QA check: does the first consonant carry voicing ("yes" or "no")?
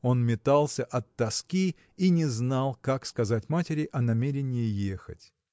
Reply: yes